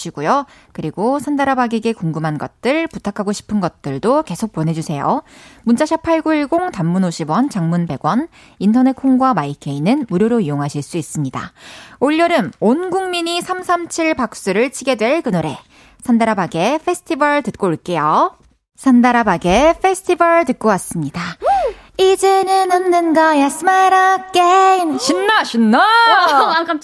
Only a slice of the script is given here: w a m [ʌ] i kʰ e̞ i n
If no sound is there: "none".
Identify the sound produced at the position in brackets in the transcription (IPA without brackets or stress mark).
a